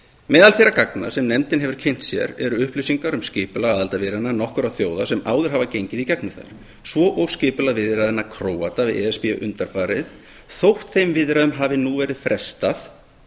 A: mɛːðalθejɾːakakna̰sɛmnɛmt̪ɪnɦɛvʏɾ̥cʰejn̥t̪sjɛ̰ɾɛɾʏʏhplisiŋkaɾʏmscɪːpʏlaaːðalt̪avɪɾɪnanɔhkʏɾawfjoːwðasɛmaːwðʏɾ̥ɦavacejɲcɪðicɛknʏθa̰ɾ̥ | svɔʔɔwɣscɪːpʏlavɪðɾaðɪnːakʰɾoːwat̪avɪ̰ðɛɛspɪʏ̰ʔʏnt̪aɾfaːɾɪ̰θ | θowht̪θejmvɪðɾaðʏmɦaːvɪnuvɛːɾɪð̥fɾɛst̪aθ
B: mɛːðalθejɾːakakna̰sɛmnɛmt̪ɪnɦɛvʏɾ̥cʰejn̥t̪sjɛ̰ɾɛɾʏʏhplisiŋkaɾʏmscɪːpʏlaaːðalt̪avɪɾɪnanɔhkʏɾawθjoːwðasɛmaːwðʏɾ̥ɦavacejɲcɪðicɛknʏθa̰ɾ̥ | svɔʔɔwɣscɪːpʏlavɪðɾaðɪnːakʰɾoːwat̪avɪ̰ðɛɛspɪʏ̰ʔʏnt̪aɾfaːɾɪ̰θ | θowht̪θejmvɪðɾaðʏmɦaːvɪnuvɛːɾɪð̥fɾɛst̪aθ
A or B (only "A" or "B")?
B